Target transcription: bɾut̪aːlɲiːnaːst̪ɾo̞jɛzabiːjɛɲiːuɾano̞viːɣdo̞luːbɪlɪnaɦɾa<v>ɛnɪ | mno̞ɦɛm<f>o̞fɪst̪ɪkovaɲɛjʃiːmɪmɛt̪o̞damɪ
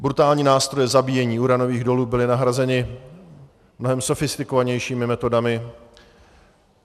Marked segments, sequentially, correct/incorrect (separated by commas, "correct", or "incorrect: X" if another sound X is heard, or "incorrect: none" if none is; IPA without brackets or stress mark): incorrect: z, incorrect: s